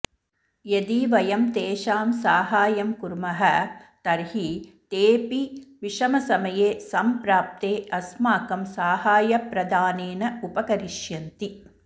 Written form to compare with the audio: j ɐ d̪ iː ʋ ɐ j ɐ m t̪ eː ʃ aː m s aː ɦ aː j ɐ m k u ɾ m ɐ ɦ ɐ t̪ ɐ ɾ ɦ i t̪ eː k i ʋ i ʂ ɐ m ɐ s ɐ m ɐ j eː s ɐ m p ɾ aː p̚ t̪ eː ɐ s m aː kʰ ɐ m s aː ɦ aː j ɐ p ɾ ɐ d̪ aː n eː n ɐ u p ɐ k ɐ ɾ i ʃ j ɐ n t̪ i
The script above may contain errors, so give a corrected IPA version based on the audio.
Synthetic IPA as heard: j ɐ d̪ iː ʋ ɐ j ɐ m t̪ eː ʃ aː m s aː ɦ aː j ɐ m k u ɾ m ɐ ɦ ɐ t̪ ɐ ɾ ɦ i t̪ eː p i ʋ i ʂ ɐ m ɐ s ɐ m ɐ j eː s ɐ m p ɾ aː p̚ t̪ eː ɐ s m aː k ɐ m s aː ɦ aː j ɐ p ɾ ɐ d̪ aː n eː n ɐ u p ɐ k ɐ ɾ i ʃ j ɐ n t̪ i